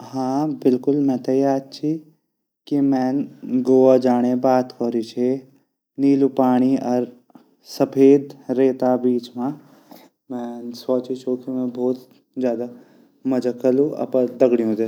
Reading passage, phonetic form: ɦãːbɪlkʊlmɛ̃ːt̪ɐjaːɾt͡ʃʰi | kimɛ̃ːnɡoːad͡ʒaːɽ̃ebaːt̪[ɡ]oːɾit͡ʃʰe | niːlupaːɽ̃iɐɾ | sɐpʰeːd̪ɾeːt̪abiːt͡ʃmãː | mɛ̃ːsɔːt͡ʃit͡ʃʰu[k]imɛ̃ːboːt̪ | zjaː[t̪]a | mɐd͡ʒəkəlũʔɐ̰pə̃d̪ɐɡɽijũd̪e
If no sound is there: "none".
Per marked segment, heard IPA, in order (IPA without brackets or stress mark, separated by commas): k, k, d̪